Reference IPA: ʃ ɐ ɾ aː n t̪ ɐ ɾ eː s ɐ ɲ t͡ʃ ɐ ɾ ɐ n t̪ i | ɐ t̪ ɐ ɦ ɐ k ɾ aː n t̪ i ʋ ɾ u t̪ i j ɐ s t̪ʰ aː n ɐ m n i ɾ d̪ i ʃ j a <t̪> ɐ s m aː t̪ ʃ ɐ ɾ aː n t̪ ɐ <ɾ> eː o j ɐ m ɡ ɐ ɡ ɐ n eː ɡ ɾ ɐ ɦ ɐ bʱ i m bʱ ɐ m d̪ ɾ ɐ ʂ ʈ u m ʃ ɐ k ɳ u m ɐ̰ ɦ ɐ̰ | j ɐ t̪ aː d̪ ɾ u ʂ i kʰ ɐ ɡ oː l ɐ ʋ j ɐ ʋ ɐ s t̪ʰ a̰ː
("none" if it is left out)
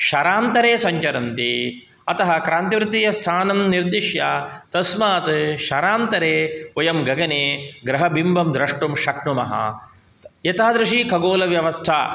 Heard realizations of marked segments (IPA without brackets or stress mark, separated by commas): t̪, ɾ